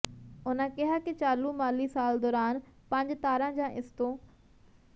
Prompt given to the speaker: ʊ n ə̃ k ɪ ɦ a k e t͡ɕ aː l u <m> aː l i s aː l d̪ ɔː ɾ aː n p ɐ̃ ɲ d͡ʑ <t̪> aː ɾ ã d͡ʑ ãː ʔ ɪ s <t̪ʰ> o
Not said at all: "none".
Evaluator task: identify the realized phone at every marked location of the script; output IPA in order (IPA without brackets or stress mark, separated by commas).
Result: m, t̪, t̪